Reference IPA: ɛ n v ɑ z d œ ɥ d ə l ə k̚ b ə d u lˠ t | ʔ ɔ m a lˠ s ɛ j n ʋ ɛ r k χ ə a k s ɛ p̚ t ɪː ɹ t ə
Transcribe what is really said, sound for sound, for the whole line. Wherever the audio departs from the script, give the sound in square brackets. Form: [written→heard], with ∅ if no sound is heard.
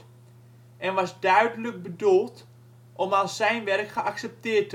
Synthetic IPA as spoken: ɛ n [v→ʋ] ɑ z d œ ɥ d ə l ə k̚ b ə d u lˠ t | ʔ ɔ m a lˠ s ɛ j n ʋ ɛ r k χ ə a k s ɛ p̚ t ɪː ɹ t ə